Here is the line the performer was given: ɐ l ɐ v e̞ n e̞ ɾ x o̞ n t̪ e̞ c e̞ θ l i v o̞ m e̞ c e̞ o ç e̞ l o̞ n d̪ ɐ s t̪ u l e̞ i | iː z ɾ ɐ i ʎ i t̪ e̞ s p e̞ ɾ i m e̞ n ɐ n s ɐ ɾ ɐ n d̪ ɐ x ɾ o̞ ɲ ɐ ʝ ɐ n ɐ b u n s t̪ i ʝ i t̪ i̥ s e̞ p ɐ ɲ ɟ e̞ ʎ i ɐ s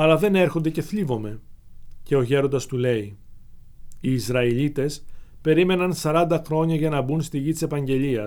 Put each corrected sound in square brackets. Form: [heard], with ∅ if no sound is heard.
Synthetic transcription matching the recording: ɐ l ɐ [ð] e̞ n e̞ ɾ x o̞ n [d̪] e̞ c e̞ θ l i v o̞ m e̞ c e̞ o ç e̞ [ɾ] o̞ n d̪ ɐ s t̪ u l e̞ i | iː z ɾ ɐ i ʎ i t̪ e̞ s p e̞ ɾ i m e̞ n ɐ n s ɐ ɾ ɐ n d̪ ɐ x ɾ o̞ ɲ ɐ ʝ ɐ n ɐ b u n s t̪ i ʝ i t̪ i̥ s e̞ p ɐ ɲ ɟ e̞ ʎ i ɐ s